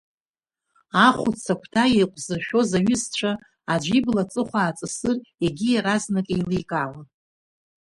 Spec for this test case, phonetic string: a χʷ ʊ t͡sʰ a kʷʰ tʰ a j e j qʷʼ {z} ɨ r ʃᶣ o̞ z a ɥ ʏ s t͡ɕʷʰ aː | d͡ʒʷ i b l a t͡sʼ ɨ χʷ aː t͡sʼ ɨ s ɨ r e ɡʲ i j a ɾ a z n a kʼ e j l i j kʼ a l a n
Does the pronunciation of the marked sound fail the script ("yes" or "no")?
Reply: no